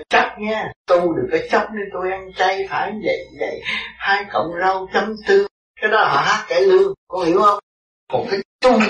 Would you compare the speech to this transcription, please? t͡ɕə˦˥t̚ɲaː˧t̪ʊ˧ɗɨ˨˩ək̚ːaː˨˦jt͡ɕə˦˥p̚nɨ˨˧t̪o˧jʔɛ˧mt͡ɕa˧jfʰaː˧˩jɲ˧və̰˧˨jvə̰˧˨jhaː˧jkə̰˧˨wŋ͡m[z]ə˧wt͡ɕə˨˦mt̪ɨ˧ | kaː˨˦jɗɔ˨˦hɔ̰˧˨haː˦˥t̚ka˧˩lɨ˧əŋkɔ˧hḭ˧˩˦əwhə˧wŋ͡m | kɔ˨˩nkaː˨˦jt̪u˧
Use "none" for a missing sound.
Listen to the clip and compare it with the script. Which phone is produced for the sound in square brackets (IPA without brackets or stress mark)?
z